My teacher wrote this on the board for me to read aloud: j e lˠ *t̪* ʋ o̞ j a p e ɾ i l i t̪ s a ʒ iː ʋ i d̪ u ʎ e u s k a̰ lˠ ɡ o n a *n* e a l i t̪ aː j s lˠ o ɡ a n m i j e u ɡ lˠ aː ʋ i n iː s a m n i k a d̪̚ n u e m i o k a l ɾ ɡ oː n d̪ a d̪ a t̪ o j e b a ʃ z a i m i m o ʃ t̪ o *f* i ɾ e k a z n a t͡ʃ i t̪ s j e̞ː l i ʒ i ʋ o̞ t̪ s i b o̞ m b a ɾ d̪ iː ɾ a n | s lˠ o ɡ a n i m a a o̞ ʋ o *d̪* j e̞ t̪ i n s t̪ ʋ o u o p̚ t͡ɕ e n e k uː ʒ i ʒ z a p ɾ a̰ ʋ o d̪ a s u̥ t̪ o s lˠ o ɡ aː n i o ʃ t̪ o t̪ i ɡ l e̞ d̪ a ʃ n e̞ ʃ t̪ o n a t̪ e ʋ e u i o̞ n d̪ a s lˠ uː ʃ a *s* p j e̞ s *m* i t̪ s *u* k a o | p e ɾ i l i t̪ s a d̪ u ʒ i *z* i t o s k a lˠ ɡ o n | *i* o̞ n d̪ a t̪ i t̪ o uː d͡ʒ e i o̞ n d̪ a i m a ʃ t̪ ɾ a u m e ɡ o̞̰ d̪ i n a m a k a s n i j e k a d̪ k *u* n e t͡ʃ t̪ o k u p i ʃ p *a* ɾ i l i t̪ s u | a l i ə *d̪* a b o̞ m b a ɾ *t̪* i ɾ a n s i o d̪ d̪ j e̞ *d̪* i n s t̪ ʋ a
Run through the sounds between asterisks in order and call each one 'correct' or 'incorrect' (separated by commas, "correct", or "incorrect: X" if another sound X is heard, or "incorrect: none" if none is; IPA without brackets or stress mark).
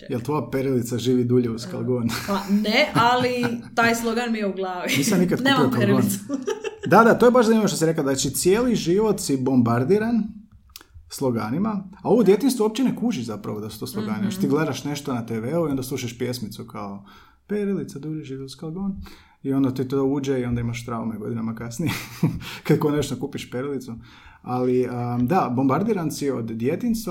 correct, correct, incorrect: s, correct, incorrect: ʃ, correct, correct, incorrect: ʒ, correct, incorrect: o, incorrect: e, correct, incorrect: d̪, incorrect: t̪